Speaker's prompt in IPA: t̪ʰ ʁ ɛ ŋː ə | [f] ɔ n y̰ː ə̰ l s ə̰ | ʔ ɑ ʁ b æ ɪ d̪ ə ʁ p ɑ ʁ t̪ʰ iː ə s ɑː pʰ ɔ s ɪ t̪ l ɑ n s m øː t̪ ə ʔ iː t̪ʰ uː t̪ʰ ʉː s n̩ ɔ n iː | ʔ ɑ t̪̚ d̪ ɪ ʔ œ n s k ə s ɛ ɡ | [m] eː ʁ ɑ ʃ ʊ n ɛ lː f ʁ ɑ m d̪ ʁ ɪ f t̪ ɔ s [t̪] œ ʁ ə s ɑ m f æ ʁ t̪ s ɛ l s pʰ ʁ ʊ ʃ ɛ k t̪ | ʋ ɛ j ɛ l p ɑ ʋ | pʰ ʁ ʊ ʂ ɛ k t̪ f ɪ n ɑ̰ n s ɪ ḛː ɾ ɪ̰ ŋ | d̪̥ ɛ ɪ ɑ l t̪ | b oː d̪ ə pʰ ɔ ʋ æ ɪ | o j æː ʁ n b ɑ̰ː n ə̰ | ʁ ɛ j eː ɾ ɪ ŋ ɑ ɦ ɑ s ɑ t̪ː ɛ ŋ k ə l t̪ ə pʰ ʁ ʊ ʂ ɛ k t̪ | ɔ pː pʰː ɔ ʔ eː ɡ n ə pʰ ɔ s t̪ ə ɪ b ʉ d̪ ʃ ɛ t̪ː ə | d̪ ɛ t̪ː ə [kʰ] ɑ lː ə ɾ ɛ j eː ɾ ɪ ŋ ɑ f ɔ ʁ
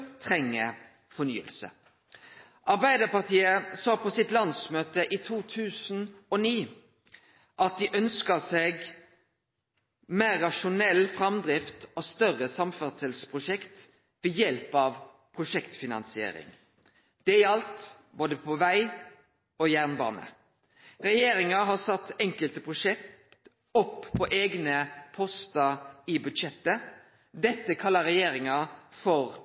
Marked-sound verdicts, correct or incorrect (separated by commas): correct, correct, correct, correct